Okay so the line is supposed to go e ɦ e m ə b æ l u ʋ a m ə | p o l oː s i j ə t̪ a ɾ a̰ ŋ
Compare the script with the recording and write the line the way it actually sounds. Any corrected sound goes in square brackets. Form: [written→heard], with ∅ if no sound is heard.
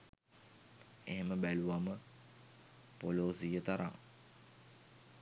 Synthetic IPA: e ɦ e m ə b æ l u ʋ a m ə | p o l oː s i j ə t̪ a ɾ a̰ ŋ